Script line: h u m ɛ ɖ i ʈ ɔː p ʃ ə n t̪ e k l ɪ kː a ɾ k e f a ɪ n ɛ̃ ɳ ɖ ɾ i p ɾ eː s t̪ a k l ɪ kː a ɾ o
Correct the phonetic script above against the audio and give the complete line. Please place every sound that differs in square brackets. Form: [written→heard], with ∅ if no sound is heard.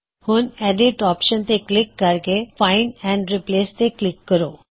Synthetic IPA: h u [m→n] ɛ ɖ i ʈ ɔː p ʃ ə n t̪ e k l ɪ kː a ɾ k e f a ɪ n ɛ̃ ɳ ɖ ɾ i p [ɾ→l] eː s t̪ [a→e] k l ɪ kː [a→ə] ɾ o